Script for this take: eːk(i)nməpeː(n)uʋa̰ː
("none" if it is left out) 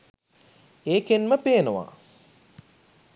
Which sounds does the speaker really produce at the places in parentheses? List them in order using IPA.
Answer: e, n

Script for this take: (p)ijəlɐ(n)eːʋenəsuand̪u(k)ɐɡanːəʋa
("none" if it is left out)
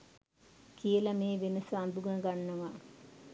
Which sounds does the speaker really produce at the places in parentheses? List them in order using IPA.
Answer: k, m, ɡ

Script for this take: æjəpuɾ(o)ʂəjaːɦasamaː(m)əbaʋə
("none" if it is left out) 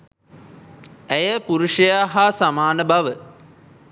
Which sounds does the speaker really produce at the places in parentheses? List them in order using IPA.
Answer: u, n

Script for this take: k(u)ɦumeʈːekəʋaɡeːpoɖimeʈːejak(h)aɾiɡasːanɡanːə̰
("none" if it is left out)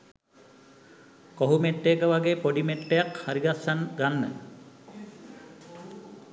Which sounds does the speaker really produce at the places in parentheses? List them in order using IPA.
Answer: o, h

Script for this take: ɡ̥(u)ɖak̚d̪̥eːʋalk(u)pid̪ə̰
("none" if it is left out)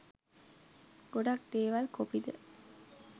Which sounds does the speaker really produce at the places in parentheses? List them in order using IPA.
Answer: o, o

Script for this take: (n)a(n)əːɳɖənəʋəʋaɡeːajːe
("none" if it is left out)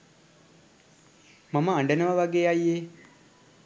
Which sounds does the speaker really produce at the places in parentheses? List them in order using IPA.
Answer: m, m

